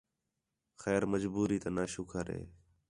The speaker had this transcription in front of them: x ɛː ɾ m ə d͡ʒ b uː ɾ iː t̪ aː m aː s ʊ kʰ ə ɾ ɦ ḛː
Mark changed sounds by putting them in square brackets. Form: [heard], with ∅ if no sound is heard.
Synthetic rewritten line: x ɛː ɾ m ə d͡ʒ b uː ɾ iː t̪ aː [n] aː [ʃ] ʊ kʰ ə ɾ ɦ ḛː